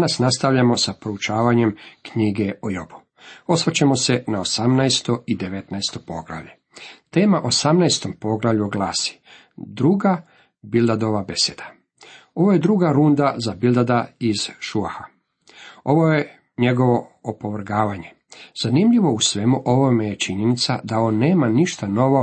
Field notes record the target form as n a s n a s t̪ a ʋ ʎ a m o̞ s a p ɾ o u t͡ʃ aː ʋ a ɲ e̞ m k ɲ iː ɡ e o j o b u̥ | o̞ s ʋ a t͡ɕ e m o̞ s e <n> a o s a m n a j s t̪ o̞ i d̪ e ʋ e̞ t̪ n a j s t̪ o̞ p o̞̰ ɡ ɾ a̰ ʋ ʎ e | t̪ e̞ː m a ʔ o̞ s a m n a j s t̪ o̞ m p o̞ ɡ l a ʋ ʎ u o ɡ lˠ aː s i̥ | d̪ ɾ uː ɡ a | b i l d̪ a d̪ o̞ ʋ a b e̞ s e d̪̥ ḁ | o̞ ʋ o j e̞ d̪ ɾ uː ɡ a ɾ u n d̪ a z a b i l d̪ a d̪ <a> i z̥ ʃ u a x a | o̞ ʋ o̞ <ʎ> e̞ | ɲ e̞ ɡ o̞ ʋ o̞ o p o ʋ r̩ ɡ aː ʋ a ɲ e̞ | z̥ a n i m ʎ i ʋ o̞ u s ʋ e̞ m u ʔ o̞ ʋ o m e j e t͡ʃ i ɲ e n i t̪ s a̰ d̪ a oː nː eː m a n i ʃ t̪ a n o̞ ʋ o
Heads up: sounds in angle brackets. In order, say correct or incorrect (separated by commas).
correct, correct, incorrect